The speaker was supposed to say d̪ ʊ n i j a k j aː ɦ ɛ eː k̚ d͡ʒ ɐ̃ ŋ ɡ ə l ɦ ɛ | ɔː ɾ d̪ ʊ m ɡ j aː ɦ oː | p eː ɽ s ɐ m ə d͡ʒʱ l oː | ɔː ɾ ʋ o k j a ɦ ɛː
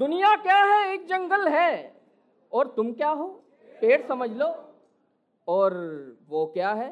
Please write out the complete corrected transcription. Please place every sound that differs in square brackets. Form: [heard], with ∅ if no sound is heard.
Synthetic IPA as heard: d̪ ʊ n i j a k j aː ɦ ɛ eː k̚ d͡ʒ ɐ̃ ŋ ɡ ə l ɦ ɛ | ɔː ɾ [t̪] ʊ m [k] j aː ɦ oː | p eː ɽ s ɐ m ə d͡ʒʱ l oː | ɔː ɾ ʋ o k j a ɦ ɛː